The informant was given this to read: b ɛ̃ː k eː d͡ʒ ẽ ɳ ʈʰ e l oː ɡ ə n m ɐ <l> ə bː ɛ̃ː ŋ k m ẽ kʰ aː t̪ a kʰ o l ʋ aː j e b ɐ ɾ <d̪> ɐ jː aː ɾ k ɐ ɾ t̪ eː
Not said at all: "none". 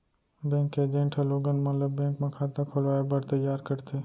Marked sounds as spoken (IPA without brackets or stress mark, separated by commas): l, t̪